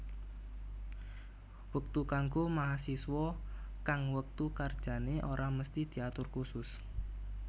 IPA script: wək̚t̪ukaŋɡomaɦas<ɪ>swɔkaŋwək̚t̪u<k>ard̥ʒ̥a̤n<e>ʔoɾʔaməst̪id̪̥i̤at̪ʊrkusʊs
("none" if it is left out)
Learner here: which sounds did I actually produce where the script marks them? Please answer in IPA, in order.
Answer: i, k, e

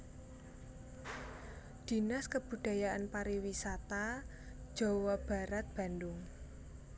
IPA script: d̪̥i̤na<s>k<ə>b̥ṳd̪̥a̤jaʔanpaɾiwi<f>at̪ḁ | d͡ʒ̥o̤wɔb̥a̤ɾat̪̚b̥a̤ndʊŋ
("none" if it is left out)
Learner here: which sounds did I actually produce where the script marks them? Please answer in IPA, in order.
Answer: s, ə, s

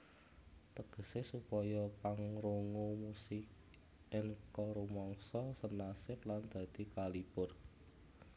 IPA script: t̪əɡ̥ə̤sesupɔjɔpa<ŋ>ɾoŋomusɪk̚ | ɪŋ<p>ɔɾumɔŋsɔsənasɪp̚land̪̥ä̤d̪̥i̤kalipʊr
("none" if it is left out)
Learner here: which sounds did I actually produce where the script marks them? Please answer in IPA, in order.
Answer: ŋ, k

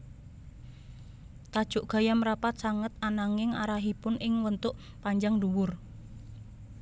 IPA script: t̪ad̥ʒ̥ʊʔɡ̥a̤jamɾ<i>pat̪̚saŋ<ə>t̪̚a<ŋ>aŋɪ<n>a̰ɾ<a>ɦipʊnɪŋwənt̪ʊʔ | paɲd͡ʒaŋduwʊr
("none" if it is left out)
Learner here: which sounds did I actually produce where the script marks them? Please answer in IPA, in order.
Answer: a, ə, n, ŋ, a

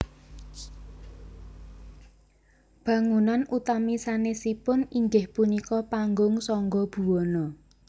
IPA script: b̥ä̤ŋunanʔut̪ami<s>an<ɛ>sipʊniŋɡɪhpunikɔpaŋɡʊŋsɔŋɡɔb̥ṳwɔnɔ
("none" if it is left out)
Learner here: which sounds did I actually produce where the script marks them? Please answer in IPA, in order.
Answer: s, e

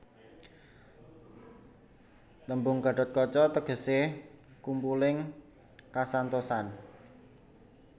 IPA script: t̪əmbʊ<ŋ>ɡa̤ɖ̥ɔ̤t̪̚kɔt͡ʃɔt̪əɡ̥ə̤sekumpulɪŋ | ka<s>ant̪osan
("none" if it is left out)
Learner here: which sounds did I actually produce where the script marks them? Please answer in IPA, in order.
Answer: ŋ, s

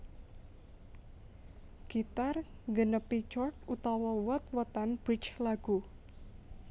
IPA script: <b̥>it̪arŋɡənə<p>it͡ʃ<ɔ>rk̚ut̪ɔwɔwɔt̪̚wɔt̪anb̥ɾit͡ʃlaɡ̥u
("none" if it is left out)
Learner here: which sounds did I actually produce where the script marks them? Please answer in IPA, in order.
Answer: ɡ̥, p, ɔ

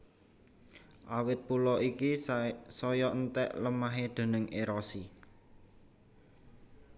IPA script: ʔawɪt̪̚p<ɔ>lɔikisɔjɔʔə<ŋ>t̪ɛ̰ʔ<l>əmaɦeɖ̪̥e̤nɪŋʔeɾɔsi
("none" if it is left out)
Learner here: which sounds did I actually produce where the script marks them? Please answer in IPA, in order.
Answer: u, n, l

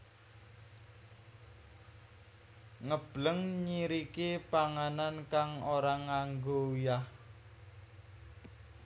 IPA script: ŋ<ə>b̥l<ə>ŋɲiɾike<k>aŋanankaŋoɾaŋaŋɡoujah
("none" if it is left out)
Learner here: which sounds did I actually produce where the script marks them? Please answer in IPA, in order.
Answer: ə, ə, p

